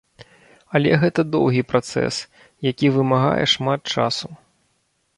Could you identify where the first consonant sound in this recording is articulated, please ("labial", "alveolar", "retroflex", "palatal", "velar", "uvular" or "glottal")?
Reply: alveolar